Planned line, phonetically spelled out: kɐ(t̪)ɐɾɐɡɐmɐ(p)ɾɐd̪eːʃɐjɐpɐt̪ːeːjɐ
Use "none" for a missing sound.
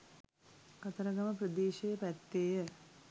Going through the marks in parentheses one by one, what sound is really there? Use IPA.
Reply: t̪, p

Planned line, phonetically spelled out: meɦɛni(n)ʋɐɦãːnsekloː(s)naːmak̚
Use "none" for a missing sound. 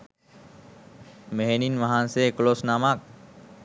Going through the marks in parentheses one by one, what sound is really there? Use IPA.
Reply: n, s

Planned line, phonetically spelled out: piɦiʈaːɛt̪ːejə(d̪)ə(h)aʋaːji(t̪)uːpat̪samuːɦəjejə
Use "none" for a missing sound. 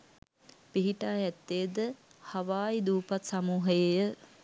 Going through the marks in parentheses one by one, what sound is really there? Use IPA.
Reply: d̪, h, d̪

